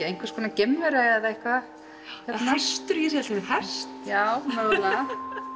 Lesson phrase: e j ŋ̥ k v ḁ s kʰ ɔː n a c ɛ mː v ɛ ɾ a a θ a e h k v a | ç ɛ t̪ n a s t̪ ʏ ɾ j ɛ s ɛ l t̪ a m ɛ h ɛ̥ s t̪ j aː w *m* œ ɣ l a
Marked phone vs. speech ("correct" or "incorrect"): correct